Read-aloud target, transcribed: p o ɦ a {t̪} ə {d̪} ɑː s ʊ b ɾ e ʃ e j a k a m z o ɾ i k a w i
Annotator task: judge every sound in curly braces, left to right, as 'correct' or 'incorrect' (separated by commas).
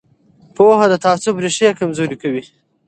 incorrect, incorrect